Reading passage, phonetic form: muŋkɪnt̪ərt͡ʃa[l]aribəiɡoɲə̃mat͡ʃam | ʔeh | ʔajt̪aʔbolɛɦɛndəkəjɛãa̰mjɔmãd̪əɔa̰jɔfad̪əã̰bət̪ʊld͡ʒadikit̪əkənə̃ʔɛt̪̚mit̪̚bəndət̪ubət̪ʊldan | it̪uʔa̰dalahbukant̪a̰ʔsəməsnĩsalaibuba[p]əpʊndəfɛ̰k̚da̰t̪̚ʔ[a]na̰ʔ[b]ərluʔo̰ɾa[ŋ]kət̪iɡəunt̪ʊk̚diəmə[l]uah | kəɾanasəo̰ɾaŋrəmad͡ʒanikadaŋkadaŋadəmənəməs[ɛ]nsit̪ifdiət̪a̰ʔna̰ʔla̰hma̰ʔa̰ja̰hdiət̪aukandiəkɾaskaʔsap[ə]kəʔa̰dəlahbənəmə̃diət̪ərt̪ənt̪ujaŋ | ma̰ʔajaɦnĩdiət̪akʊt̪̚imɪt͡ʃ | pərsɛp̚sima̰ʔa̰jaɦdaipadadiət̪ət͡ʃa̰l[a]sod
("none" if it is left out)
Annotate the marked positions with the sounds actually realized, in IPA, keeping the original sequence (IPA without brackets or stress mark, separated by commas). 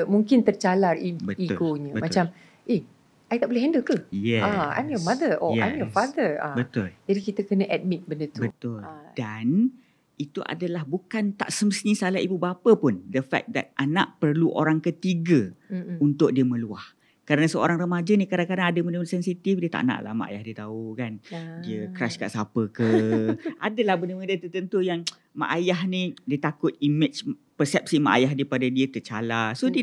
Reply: l, p, a, p, ŋ, l, ɛ, ə, a